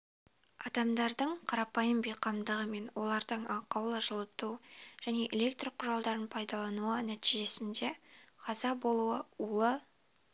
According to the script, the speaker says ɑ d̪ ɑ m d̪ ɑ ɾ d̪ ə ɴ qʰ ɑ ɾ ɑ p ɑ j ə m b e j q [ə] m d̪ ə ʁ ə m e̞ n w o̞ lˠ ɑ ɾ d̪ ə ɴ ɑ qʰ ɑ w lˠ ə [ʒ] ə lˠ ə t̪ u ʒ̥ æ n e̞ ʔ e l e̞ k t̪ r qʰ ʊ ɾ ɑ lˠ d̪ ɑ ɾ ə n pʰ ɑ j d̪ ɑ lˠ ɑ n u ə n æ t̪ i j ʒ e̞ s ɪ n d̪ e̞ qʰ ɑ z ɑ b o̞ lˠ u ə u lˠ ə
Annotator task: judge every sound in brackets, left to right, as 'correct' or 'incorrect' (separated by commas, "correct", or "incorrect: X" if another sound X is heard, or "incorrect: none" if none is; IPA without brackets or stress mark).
incorrect: ɑ, correct